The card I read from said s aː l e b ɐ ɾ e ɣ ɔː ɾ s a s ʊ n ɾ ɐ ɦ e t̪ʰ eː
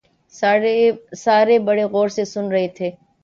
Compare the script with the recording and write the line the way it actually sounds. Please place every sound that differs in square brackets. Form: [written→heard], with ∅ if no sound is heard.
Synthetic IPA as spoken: s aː [l→ɾ] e b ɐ [ɾ→ɽ] e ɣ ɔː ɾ s [a→e] s ʊ n ɾ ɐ ɦ e t̪ʰ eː